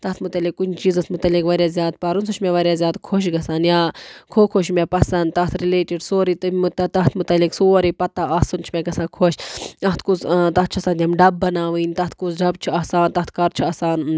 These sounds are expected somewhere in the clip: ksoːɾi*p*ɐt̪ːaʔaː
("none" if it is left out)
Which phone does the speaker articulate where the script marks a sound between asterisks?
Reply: p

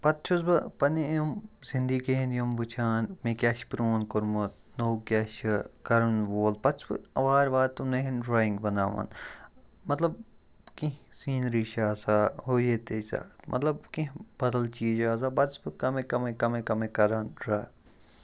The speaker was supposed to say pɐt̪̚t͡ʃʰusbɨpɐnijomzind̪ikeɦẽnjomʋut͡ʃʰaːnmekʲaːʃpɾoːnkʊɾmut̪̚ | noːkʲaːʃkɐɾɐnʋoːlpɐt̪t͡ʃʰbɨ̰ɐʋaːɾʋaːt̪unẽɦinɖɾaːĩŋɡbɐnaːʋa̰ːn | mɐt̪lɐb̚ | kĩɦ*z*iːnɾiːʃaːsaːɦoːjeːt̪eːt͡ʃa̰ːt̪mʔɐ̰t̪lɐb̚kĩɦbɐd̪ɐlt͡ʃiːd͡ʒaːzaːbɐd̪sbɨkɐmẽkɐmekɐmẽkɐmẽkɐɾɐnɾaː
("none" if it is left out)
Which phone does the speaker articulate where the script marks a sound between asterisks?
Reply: s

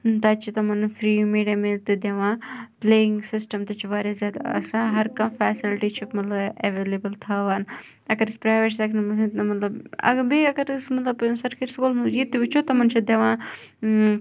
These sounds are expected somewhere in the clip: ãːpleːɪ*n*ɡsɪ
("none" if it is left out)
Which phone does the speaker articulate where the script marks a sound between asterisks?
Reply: ŋ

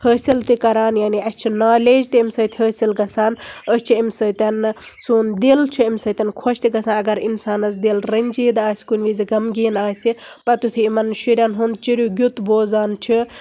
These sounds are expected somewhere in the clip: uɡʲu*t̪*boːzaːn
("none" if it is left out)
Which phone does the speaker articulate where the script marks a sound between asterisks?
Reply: t̪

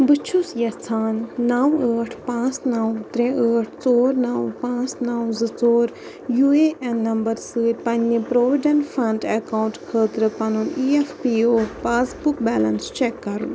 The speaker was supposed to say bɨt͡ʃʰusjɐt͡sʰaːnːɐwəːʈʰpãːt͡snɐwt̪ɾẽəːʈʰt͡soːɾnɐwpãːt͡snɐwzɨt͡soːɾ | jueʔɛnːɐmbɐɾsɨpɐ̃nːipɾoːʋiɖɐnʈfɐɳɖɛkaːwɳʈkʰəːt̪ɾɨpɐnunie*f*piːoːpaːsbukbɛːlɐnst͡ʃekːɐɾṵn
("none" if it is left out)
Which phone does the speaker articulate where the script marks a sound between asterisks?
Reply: f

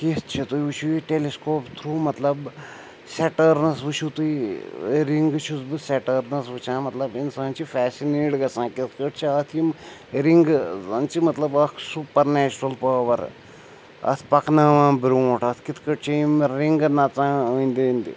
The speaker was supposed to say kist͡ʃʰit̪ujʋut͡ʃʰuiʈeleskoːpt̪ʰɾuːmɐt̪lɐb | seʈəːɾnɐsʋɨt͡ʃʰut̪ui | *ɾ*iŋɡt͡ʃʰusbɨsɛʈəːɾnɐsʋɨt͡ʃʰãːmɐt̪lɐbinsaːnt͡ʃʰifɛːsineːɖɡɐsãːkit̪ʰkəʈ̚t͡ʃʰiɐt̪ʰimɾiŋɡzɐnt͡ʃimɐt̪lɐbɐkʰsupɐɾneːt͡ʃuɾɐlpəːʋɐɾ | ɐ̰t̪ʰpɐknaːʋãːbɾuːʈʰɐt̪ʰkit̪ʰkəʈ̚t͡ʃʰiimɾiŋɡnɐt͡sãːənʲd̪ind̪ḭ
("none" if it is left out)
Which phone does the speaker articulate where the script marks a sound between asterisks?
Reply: ɾ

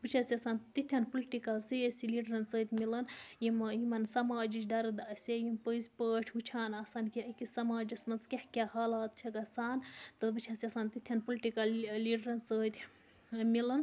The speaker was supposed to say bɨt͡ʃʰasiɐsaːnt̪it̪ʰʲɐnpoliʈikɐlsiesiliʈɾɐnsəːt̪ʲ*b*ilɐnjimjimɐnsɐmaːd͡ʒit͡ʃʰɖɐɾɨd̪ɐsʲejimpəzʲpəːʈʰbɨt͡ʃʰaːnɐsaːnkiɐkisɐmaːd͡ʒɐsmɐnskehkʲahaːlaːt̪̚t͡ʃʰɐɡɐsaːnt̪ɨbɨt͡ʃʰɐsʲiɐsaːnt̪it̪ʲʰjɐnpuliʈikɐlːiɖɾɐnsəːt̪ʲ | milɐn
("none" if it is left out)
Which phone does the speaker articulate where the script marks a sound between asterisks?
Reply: m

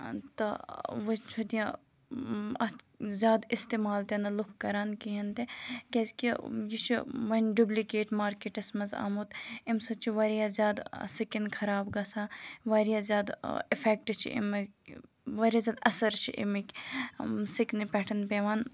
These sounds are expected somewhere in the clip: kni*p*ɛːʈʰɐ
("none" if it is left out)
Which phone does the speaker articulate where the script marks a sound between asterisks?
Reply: p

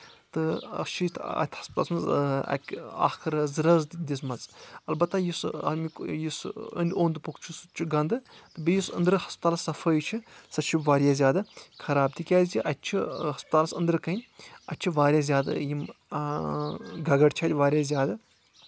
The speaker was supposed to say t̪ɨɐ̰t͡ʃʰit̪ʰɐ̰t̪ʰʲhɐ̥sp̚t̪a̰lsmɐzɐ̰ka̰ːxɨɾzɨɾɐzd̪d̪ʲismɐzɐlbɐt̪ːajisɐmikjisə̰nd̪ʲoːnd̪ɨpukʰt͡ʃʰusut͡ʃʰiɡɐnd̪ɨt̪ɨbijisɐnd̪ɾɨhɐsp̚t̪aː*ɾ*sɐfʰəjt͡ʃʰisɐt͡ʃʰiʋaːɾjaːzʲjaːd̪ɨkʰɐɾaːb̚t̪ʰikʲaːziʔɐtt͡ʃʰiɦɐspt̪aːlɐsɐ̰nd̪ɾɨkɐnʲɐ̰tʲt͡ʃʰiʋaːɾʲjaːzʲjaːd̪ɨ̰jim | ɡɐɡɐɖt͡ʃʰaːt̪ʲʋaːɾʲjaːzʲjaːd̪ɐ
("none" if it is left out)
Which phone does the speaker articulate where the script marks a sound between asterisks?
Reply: l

